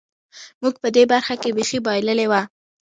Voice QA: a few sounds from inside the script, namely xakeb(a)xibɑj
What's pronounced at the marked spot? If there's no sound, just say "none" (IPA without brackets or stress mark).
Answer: e